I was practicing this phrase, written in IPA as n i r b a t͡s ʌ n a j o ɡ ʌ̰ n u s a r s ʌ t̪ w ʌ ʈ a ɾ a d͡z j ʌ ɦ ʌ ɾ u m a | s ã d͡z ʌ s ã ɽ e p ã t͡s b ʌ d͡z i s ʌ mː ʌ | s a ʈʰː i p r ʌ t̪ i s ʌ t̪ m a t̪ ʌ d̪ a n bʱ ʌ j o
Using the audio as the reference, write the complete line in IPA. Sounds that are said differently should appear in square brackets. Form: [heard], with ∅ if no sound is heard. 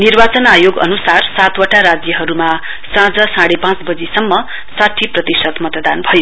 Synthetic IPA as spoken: n i r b a t͡s ʌ n a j o ɡ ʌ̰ n u s a r s [a] t̪ w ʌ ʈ a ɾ a d͡z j ʌ ɦ ʌ ɾ u m a | s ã d͡z ʌ s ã ɽ e p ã t͡s b ʌ d͡z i s ʌ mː ʌ | s a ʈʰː i p r ʌ t̪ i s ʌ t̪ m [ʌ] t̪ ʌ d̪ a n bʱ ʌ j o

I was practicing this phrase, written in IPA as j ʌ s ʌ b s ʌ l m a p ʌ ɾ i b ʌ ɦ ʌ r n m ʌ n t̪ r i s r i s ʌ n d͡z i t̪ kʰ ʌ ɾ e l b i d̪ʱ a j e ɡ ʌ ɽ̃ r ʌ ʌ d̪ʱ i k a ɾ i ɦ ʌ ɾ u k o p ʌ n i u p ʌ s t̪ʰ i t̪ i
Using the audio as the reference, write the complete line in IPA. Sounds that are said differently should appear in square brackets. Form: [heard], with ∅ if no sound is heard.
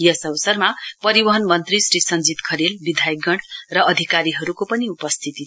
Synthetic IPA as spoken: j ʌ s ʌ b s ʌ [r] m a p ʌ ɾ i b ʌ ɦ ʌ [∅] n m ʌ n t̪ r i s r i s ʌ n d͡z i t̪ kʰ ʌ ɾ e l b i d̪ʱ a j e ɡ ʌ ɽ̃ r ʌ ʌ d̪ʱ i k a ɾ i ɦ ʌ ɾ u k o p ʌ n i u p ʌ s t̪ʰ i t̪ i

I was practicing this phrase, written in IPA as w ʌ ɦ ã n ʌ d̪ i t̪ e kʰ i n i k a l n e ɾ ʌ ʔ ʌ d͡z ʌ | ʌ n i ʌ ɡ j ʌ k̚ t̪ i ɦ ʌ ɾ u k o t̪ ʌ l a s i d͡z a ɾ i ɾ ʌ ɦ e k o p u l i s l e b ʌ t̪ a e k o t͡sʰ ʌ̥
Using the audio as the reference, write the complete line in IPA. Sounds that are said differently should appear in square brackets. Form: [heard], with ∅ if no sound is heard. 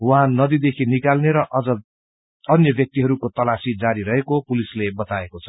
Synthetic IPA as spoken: w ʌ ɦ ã n ʌ d̪ i [d̪] e kʰ i n i k a l n e ɾ ʌ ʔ ʌ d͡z ʌ | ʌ n [j] ʌ [b] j ʌ k̚ t̪ i ɦ ʌ ɾ u k o t̪ ʌ l a s i d͡z a ɾ i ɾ ʌ ɦ e k o p u l i s l e b ʌ t̪ a e k o t͡sʰ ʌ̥

